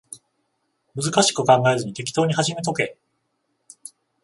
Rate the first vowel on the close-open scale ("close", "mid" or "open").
close